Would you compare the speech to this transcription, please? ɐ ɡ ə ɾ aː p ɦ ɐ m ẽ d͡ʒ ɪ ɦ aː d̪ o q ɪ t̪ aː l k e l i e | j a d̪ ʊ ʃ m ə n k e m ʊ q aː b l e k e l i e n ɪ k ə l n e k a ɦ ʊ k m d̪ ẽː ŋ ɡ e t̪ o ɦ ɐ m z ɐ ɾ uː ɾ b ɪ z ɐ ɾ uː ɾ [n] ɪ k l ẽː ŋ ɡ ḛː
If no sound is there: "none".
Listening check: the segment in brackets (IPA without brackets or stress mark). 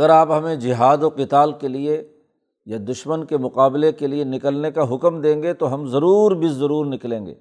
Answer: n